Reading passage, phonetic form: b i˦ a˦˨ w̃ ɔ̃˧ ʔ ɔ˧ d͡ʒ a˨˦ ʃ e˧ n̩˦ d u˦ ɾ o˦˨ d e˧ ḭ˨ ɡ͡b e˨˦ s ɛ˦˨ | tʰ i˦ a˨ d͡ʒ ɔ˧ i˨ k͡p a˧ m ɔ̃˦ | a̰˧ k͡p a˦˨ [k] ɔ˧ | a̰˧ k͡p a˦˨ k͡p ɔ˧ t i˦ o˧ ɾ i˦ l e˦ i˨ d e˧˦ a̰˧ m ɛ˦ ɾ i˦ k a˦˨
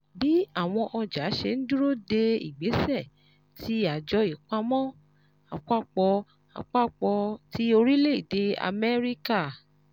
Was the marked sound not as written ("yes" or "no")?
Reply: yes